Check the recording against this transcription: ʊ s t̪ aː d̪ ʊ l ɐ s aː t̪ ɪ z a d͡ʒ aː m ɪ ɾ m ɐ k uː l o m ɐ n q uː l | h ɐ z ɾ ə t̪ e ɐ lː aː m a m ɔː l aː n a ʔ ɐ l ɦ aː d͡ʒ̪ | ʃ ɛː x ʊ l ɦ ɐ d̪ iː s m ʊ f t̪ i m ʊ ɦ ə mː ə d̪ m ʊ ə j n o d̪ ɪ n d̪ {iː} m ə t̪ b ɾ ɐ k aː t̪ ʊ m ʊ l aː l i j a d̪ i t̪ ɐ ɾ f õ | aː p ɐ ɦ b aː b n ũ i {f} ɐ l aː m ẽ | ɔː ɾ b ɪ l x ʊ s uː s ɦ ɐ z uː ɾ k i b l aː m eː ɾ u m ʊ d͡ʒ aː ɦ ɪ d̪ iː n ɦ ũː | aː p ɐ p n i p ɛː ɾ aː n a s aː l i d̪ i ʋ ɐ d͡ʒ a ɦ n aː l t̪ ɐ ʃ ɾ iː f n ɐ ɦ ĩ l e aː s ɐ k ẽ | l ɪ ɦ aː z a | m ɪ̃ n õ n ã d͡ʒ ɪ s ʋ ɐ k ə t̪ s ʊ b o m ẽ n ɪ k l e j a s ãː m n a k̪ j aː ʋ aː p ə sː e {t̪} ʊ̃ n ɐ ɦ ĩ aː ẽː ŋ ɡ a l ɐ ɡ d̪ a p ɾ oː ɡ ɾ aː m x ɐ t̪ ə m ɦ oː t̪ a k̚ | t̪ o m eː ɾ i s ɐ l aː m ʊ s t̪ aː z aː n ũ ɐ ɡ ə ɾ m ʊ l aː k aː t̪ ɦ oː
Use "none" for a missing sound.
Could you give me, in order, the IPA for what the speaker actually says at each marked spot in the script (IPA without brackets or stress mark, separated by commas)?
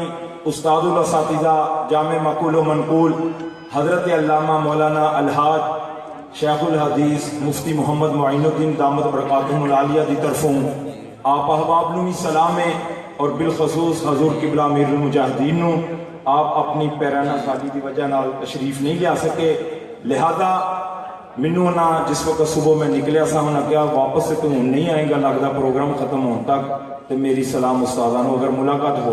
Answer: aː, s, t̪